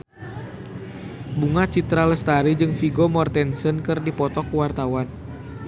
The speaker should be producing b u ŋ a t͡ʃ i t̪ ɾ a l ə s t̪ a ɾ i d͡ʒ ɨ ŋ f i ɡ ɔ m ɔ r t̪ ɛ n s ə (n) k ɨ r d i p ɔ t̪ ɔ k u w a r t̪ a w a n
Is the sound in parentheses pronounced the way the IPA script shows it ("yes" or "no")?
yes